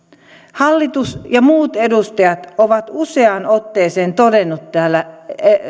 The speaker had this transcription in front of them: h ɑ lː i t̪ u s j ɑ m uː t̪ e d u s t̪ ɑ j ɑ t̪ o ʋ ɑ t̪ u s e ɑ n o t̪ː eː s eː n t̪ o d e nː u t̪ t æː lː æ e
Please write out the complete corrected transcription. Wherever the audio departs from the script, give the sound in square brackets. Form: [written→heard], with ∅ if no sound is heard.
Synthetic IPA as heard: h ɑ lː i t̪ u s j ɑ m uː t̪ e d u s t̪ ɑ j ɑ t̪ o ʋ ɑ t̪ u s e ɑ n o t̪ː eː s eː n t̪ o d e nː u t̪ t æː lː æ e